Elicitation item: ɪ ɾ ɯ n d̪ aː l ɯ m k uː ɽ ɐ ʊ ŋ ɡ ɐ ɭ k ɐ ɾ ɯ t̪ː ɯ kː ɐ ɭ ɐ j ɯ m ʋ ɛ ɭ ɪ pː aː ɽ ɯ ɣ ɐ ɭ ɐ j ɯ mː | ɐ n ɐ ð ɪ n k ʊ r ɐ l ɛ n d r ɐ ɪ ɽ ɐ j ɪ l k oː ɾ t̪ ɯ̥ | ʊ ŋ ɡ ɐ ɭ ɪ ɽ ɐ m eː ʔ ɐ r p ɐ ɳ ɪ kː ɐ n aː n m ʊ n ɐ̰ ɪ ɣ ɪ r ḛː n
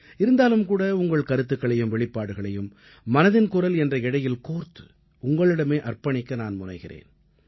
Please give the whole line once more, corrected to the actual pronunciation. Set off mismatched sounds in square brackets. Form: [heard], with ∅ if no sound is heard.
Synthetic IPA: ɪ ɾ ɯ n d̪ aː l ɯ m k uː ɽ ɐ ʊ ŋ ɡ ɐ ɭ k ɐ ɾ ɯ t̪ː ɯ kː ɐ ɭ ɐ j ɯ m ʋ ɛ ɭ ɪ pː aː ɽ ɯ ɣ ɐ ɭ ɐ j ɯ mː | ɐ n ɐ ð ɪ n k ʊ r ɐ l ɛ n d r ɐ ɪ ɽ ɐ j ɪ l k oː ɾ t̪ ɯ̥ | ʊ ŋ ɡ ɐ ɭ ɪ ɽ ɐ m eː ʔ ɐ r p ɐ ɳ ɪ kː ɐ n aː n m ʊ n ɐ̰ ɪ ɣ ɪ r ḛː n

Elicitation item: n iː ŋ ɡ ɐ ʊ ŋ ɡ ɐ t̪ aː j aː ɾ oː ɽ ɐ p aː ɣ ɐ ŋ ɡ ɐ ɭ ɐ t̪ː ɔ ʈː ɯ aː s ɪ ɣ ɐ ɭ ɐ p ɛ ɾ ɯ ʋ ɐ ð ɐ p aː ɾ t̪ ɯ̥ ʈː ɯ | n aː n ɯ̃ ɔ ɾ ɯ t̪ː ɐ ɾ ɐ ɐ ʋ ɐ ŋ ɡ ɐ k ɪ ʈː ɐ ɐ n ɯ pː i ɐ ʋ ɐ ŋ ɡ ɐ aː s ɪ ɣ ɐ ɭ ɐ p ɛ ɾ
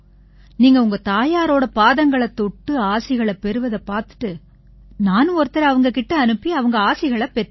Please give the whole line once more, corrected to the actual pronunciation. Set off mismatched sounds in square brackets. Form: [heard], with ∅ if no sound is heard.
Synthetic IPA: n iː ŋ ɡ ɐ ʊ ŋ ɡ ɐ t̪ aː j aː ɾ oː ɽ ɐ p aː [ð] ɐ ŋ ɡ ɐ ɭ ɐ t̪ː ɔ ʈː ɯ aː s ɪ ɣ ɐ ɭ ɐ p ɛ ɾ ɯ ʋ ɐ ð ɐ p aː ɾ t̪ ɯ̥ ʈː ɯ | n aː n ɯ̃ ɔ ɾ ɯ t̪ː ɐ ɾ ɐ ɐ ʋ ɐ ŋ ɡ ɐ k ɪ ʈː ɐ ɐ n ɯ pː i ɐ ʋ ɐ ŋ ɡ ɐ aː s ɪ ɣ ɐ ɭ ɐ p ɛ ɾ

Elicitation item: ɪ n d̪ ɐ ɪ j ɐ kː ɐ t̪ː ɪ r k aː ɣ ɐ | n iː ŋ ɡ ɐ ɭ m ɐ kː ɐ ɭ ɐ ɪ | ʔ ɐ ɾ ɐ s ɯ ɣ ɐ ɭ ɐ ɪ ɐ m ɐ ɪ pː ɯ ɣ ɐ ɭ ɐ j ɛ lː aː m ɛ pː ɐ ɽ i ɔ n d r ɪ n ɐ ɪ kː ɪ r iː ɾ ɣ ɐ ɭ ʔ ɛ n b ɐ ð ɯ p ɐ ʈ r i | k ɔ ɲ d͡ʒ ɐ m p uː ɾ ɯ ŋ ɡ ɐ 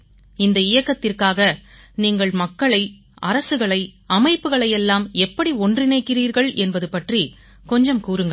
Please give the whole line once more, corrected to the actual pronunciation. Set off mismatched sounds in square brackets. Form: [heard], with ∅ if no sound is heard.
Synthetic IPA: ɪ n d̪ ɐ ɪ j ɐ kː ɐ t̪ː ɪ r k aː ɣ ɐ | n iː ŋ ɡ ɐ ɭ m ɐ kː ɐ ɭ ɐ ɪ | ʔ ɐ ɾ ɐ s ɯ ɣ ɐ ɭ ɐ ɪ ɐ m ɐ ɪ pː ɯ ɣ ɐ ɭ ɐ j ɛ lː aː m ɛ pː ɐ ɽ i ɔ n d r ɪ n ɐ ɪ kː ɪ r iː ɾ ɣ ɐ ɭ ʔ ɛ n b ɐ ð ɯ p ɐ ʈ r i | k ɔ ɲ d͡ʒ ɐ m [k] uː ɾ ɯ ŋ ɡ ɐ

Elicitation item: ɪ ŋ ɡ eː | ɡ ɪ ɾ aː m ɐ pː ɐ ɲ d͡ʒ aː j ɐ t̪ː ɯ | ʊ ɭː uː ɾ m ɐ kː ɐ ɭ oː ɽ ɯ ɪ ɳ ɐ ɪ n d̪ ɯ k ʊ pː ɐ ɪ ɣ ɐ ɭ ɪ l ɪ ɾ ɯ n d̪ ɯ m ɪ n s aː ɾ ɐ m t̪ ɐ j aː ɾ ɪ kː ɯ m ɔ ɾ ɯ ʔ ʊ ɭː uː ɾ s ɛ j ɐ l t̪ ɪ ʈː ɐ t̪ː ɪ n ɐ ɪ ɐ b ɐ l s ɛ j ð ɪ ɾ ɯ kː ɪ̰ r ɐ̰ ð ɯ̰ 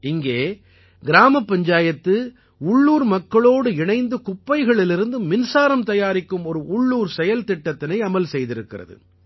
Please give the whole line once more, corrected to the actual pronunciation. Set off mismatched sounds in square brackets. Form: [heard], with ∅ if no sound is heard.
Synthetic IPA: ɪ ŋ ɡ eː | ɡ ɪ ɾ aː m ɐ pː ɐ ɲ d͡ʒ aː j ɐ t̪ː ɯ | ʊ ɭː uː ɾ m ɐ kː ɐ ɭ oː ɽ ɯ ɪ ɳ ɐ ɪ n d̪ ɯ k ʊ pː ɐ ɪ ɣ ɐ ɭ ɪ l ɪ ɾ ɯ n d̪ ɯ m ɪ n s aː ɾ ɐ m t̪ ɐ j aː ɾ ɪ kː ɯ m ɔ ɾ ɯ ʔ ʊ ɭː uː ɾ s ɛ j ɐ l t̪ ɪ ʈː ɐ t̪ː ɪ n ɐ ɪ ɐ [m] ɐ l s ɛ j ð ɪ ɾ ɯ kː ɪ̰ r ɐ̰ ð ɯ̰

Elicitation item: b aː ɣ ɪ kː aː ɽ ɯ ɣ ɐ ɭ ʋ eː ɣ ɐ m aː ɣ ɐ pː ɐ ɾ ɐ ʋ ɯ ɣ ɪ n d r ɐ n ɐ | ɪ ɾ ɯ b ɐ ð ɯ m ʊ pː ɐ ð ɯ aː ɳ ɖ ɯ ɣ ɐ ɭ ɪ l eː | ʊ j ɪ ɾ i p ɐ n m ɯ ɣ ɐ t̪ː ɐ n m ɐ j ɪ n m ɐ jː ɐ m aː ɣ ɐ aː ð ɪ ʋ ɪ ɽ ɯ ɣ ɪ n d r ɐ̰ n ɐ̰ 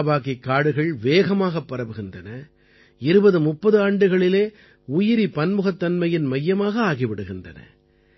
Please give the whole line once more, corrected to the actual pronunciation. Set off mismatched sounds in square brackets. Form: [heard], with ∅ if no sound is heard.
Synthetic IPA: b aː ɣ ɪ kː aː ɽ ɯ ɣ ɐ ɭ ʋ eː ɣ ɐ m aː ɣ ɐ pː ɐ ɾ ɐ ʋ ɯ ɣ ɪ n d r ɐ n ɐ | ɪ ɾ ɯ b ɐ ð ɯ m ʊ pː ɐ ð ɯ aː ɳ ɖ ɯ ɣ ɐ ɭ ɪ l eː | ʊ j ɪ ɾ i p ɐ n m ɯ ɣ ɐ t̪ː ɐ n m ɐ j ɪ n m ɐ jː ɐ m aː ɣ ɐ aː [ɣ] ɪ ʋ ɪ ɽ ɯ ɣ ɪ n d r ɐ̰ n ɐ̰

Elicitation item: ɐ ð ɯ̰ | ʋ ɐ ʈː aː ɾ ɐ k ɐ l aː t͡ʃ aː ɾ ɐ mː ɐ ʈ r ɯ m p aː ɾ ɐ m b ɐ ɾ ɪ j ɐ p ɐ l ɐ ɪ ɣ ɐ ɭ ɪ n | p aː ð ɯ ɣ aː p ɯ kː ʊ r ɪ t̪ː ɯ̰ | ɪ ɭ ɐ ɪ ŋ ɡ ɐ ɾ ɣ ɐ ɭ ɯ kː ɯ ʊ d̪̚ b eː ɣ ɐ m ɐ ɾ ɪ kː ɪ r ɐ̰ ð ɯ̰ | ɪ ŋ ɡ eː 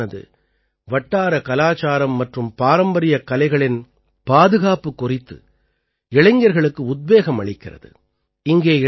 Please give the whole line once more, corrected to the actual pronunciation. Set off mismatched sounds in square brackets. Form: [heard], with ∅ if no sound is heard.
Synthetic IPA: ɐ ð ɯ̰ | ʋ ɐ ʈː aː ɾ ɐ k ɐ l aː t͡ʃ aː ɾ ɐ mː ɐ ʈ r ɯ m p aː ɾ ɐ m b ɐ ɾ ɪ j ɐ [k] ɐ l ɐ ɪ ɣ ɐ ɭ ɪ n | p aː ð ɯ ɣ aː p ɯ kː ʊ r ɪ t̪ː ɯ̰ | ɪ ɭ ɐ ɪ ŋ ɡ ɐ ɾ ɣ ɐ ɭ ɯ kː ɯ ʊ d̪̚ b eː ɣ ɐ m ɐ [ɭ] ɪ kː ɪ r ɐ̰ ð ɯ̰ | ɪ ŋ ɡ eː

